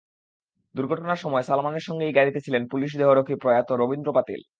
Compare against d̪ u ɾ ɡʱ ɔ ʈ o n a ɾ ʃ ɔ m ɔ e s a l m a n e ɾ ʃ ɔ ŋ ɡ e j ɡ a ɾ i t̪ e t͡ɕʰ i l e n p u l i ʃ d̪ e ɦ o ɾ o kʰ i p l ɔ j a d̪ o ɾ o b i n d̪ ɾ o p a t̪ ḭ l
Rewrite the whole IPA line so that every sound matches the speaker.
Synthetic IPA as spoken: d̪ u ɾ ɡʱ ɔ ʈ o n a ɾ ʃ ɔ m ɔ e s a l m a n e ɾ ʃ ɔ ŋ ɡ e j ɡ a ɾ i t̪ e t͡ɕʰ i l e n p u l i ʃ d̪ e ɦ o ɾ o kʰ i p ɾ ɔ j a t̪ o ɾ o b i n d̪ ɾ o p a t̪ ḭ l

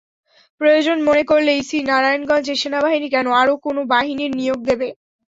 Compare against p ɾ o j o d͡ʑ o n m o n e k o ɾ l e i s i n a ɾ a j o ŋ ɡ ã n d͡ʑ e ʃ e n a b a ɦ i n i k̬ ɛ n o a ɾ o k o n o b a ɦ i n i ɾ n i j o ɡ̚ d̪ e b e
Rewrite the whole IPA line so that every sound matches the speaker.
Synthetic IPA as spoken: p ɾ o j o d͡ʑ o n m o n e k o ɾ l e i s i n a ɾ a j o n ɡ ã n d͡ʑ e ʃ e n a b a ɦ i n i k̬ ɛ n o a ɾ o k o n o b a ɦ i n i ɾ n i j o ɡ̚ d̪ e b e

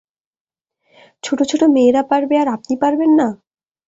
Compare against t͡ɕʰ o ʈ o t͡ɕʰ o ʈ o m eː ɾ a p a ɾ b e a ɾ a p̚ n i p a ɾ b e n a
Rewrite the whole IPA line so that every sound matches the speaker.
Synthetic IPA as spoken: t͡ɕʰ o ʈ o t͡ɕʰ o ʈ o m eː ɾ a p a ɾ b e a ɾ a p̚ n i p a ɾ b e nː a

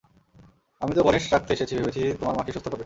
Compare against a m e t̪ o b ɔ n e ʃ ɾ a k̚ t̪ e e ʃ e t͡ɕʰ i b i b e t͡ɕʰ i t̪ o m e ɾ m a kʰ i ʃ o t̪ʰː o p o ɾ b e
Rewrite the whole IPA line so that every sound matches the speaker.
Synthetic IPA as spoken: a m i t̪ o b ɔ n e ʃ ɾ a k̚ t̪ e e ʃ e t͡ɕʰ i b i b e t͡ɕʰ i t̪ o m a ɾ m a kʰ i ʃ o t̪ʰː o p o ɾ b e

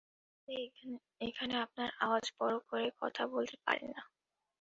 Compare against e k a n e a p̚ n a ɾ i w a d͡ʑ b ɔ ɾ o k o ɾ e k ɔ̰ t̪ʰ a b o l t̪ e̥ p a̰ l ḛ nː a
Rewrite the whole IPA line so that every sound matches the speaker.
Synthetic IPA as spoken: e kʰ a n e a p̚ n a ɾ a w a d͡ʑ b ɔ ɾ o k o ɾ e k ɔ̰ t̪ʰ a b o l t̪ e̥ p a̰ ɾ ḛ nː a

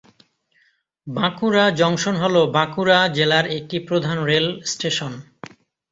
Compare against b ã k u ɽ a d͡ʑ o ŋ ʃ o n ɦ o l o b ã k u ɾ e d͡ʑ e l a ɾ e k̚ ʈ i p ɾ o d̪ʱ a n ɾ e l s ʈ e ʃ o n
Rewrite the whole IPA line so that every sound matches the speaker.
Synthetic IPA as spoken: b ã k u ɾ a d͡ʑ ɔ ŋ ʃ o n ɦ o l o b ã k u ɾ a d͡ʑ e l a ɾ e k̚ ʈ i p ɾ o d̪ʱ a n ɾ e l s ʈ e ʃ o n

